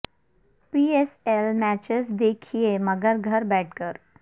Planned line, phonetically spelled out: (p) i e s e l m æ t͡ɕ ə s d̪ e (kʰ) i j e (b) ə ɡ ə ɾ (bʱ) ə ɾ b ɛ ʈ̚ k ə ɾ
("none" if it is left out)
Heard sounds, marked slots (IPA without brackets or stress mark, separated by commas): p, kʰ, m, ɡʱ